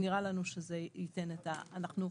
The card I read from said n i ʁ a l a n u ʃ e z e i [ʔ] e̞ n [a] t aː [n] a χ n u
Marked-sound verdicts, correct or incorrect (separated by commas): incorrect, incorrect, correct